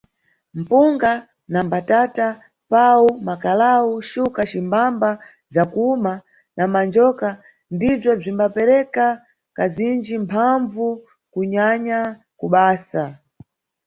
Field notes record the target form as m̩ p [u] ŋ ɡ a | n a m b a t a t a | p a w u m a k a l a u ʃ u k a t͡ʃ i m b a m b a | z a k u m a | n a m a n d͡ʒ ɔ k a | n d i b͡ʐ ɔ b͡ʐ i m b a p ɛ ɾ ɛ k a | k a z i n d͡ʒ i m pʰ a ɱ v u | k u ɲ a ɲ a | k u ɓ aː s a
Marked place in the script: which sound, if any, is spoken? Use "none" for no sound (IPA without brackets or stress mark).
u